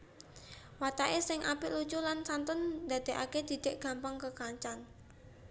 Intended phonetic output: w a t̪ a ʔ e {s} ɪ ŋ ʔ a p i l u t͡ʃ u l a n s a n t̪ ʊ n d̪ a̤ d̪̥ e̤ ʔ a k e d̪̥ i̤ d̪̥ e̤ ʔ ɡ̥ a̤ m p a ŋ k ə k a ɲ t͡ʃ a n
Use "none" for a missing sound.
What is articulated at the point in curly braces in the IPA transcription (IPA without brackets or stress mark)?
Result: s